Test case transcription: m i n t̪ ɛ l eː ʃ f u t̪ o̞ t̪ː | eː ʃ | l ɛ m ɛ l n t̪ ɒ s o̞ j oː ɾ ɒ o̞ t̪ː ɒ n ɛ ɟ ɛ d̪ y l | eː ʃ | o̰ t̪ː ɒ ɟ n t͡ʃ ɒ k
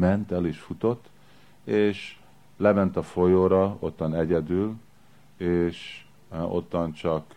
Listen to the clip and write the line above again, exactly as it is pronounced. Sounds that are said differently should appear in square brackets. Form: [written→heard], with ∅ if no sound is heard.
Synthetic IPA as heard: m [i→ɛ] n t̪ ɛ l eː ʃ f u t̪ o̞ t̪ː | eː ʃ | l ɛ m ɛ [l→∅] n t̪ ɒ [s→f] o̞ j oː ɾ ɒ o̞ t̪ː ɒ n ɛ ɟ ɛ d̪ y l | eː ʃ | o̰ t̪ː ɒ [ɟ→∅] n t͡ʃ ɒ k